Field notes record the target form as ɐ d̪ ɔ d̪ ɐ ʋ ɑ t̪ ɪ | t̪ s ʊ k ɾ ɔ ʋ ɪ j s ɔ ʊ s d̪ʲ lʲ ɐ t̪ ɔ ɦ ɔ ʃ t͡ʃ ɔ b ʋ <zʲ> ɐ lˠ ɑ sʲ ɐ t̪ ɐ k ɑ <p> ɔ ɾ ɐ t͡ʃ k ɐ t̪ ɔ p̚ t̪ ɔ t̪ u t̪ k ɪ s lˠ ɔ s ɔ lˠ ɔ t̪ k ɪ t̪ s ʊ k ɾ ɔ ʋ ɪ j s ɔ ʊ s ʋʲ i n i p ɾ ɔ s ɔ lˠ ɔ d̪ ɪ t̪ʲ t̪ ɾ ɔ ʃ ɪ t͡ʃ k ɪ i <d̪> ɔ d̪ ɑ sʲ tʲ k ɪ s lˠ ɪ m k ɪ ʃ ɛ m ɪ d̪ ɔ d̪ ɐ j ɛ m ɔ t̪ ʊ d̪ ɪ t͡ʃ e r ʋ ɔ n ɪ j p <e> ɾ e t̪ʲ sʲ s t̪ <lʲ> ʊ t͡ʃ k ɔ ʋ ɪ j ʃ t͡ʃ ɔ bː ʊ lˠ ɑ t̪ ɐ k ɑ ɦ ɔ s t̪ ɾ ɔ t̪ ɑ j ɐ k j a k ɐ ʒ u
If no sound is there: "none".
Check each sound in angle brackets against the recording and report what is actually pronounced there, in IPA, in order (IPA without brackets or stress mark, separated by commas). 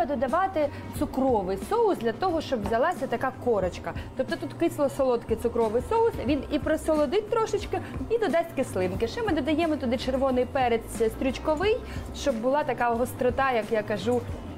zʲ, k, d̪, ɛ, ɾʲ